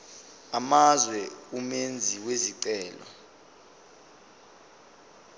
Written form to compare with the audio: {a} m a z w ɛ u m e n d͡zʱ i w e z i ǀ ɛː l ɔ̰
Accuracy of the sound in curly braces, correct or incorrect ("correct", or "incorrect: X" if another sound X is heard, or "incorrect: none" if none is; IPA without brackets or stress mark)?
correct